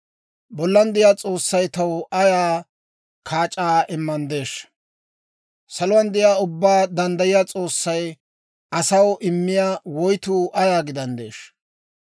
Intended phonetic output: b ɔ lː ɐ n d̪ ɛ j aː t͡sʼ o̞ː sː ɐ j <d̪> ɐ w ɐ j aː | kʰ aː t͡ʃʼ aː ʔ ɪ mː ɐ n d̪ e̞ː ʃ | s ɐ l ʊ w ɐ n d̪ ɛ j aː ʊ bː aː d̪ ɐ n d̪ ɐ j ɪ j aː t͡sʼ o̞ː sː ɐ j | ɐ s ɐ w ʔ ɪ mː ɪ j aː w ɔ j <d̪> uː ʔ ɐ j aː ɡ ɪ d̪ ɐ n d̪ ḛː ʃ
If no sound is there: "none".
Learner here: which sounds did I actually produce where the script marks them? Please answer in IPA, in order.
t̪, t̪

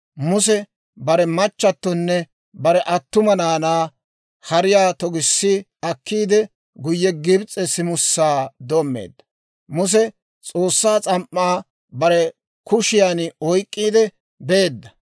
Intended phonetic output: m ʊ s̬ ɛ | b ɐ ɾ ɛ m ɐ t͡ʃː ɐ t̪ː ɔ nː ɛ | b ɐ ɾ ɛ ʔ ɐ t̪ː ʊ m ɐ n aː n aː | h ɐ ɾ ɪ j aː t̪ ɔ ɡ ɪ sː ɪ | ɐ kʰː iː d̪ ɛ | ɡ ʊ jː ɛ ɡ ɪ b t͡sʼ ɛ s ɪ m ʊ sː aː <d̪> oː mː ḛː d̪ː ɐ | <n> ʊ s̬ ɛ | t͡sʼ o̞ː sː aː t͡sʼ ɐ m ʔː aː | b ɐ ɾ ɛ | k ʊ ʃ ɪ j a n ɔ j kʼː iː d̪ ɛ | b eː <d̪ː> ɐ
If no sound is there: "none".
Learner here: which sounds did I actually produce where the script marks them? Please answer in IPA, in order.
d̪, m, d̪ː

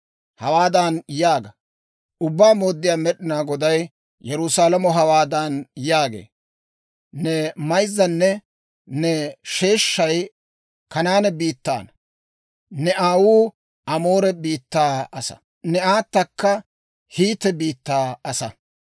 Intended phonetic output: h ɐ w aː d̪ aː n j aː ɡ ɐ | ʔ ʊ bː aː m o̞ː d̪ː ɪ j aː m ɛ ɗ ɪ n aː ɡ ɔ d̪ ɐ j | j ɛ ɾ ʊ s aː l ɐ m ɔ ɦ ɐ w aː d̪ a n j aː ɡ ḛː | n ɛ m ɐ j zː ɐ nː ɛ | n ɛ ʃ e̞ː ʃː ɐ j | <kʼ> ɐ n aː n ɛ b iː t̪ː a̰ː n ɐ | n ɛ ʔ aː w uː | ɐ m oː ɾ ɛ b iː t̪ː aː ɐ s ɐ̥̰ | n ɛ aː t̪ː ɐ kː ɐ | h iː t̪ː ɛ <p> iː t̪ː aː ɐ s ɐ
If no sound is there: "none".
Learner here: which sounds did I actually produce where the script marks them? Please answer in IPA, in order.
k, b

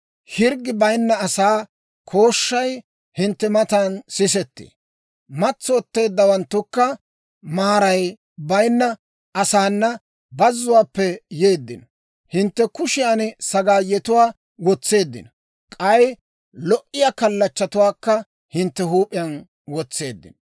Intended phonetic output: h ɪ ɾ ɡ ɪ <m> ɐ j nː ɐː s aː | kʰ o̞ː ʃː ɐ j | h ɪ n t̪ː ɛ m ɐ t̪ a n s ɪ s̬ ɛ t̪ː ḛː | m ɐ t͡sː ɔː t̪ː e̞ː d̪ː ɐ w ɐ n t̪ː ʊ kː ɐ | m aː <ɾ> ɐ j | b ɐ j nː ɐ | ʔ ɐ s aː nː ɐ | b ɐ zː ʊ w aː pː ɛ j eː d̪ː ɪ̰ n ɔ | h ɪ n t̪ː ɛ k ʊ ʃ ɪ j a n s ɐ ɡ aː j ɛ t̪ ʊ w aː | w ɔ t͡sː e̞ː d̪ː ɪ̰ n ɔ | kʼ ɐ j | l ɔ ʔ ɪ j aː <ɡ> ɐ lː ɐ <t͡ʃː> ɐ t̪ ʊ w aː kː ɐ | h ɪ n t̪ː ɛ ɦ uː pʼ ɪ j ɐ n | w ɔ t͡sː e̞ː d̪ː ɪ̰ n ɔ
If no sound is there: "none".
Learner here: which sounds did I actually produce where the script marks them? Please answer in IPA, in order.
b, ɾ, k, t͡ʃː

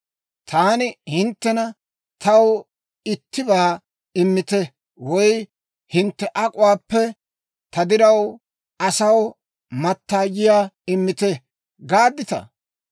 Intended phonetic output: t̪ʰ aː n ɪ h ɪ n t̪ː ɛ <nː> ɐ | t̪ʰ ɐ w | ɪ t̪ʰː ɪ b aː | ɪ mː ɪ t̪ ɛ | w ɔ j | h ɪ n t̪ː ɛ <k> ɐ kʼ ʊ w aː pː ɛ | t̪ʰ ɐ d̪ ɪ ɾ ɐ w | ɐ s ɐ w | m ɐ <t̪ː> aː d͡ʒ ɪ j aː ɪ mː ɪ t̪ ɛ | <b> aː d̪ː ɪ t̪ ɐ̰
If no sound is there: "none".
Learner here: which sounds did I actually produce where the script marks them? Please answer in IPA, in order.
n, ʔ, t̪ː, ɡ

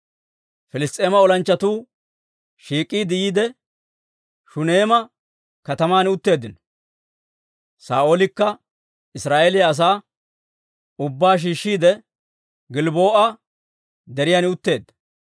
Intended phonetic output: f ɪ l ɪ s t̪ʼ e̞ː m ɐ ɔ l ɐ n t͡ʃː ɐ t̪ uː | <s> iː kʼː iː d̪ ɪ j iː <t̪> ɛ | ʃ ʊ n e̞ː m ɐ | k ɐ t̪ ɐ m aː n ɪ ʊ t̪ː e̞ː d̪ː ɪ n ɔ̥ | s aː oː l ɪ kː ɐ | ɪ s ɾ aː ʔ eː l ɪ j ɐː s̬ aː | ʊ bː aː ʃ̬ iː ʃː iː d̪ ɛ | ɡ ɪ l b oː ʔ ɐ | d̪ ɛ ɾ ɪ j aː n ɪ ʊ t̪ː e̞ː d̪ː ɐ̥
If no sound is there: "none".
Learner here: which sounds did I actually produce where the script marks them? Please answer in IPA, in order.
ʃ, d̪

